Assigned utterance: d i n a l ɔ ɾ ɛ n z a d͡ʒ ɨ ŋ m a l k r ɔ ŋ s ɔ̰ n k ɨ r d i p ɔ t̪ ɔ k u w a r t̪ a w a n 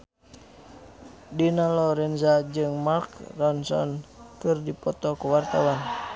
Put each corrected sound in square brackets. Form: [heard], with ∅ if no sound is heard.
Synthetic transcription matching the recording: d i n a l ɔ ɾ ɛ n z a d͡ʒ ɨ ŋ m a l k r ɔ [n] s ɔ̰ n k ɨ r d i p ɔ t̪ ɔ k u w a r t̪ a w a n